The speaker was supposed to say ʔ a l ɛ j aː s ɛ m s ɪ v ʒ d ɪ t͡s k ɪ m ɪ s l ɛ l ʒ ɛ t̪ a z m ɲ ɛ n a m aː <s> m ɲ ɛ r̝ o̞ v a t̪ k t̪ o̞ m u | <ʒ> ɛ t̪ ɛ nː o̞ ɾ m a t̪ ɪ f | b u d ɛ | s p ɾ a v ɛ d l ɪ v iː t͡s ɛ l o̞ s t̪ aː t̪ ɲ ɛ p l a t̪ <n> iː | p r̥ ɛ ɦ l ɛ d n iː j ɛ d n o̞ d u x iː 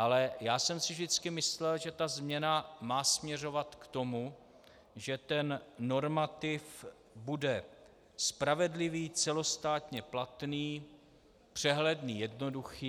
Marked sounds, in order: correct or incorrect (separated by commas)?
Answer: correct, correct, correct